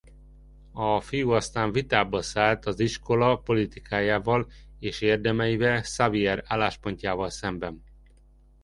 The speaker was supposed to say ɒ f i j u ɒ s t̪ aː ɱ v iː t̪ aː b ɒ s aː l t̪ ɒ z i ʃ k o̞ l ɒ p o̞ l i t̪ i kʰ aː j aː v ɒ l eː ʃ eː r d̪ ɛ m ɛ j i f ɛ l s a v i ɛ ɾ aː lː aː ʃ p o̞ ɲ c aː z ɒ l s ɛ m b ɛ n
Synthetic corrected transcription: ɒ f i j u ɒ s t̪ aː ɱ v i t̪ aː b ɒ s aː l t̪ ɒ z i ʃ k o̞ l ɒ p o̞ l i t̪ i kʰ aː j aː v ɒ l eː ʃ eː r d̪ ɛ m ɛ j i v ɛ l s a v i ɛ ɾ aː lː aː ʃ p o̞ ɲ c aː v ɒ l s ɛ m b ɛ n